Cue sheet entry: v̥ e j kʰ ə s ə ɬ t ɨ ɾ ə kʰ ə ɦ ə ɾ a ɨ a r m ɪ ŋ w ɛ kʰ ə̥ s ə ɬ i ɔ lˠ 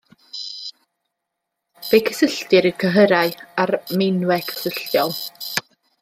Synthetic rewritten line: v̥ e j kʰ ə s ə ɬ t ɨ ɾ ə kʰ ə ɦ ə ɾ a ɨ a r m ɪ n w ɛ kʰ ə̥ s ə ɬ j ɔ lˠ